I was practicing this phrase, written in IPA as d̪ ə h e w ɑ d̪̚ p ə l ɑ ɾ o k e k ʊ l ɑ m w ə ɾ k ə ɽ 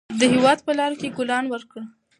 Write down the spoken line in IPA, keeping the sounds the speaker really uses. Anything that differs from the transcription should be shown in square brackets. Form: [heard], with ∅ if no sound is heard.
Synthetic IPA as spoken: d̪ ə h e w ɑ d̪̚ p ə l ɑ ɾ o k e [ɡ] ʊ l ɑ [n] w ə ɾ k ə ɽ

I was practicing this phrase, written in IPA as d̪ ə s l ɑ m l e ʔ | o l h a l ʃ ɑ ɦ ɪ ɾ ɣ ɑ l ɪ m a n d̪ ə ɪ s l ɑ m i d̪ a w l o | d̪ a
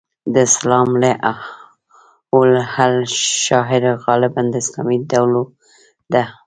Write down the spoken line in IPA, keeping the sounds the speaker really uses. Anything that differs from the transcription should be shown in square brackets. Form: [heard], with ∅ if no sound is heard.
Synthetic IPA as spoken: d̪ ə s l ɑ m l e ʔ | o l h a l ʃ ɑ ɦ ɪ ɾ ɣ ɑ l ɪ [b] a n d̪ ə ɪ s l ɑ m i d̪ a w l o | d̪ a

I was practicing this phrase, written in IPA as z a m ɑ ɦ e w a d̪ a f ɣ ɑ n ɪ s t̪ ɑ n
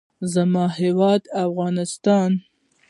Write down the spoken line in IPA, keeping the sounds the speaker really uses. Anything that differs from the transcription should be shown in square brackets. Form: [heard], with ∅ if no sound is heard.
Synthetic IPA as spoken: z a m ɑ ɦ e w [ɑ] d̪ a f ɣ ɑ n ɪ s t̪ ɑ n

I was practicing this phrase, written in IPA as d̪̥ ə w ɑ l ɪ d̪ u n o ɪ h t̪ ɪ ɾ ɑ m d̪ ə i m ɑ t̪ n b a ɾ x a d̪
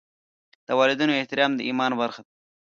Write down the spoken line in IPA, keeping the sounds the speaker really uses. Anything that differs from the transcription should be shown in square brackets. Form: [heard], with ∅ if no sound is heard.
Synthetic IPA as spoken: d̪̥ ə w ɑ l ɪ d̪ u n o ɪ h t̪ ɪ ɾ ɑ m d̪ ə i m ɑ [∅] n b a ɾ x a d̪

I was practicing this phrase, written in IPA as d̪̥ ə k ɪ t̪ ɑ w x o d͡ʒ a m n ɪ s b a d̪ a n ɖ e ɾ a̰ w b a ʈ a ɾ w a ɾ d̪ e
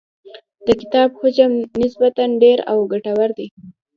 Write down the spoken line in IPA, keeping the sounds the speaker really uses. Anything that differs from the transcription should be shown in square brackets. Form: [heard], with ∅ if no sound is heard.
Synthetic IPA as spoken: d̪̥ ə k ɪ t̪ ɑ [b] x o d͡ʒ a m n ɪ s b a [t̪] a n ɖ e ɾ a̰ w [ɡ] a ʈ a [∅] w a ɾ d̪ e

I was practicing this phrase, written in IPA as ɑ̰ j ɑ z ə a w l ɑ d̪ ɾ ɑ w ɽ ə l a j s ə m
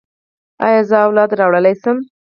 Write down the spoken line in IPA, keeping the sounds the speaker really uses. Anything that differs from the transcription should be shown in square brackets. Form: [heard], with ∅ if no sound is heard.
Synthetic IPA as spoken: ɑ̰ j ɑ z ə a w l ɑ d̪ ɾ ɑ w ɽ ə l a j s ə m

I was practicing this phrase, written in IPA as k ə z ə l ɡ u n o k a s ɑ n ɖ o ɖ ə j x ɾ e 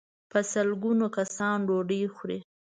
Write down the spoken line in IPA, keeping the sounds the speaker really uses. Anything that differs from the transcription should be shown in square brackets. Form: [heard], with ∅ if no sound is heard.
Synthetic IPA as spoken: [p] ə [s] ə l ɡ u n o k a s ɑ n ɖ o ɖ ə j x ɾ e

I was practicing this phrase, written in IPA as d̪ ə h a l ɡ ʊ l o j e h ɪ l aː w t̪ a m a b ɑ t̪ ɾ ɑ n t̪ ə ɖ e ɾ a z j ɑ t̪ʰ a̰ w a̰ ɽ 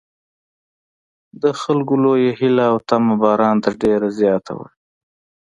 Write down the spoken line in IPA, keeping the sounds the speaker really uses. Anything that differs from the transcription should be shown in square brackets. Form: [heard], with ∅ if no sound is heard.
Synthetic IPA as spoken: d̪ ə [x] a l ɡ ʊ l o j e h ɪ l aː w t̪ a m a b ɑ [∅] ɾ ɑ n t̪ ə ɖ e ɾ a z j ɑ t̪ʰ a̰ w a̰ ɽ

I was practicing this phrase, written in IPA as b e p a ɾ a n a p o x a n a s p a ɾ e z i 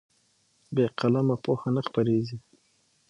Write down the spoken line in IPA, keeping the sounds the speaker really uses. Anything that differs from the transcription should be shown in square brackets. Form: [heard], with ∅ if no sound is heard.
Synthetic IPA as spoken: b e [q] a [l] a [m] a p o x a n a [x] p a ɾ e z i

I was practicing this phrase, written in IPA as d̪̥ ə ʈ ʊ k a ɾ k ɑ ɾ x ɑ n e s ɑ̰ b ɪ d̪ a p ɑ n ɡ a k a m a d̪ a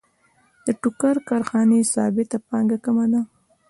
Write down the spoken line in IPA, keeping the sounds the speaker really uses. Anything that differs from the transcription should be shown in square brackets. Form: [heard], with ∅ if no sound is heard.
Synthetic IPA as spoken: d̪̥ ə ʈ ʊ k a ɾ k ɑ ɾ x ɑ n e s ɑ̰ b ɪ [t̪] a p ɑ [ŋ] ɡ a k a m a d̪ a

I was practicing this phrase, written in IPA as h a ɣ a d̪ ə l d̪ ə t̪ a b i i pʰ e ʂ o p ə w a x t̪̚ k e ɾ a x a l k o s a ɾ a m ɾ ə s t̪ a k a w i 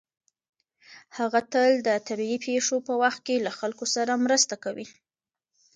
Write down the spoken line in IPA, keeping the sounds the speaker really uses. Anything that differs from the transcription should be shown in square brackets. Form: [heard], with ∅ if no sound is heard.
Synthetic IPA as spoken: h a ɣ a [t̪] ə l d̪ ə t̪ a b i i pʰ e ʂ o p ə w a x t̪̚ k e [l] a x a l k o s a ɾ a m ɾ ə s t̪ a k a w i

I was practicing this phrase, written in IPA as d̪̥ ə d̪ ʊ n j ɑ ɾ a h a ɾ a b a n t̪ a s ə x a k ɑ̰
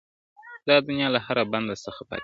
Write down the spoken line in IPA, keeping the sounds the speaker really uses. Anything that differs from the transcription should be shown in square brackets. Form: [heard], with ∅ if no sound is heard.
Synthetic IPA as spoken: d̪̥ [ɑ] d̪ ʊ n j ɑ [l] a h a ɾ a b a n [d̪] a s ə x a [p] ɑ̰

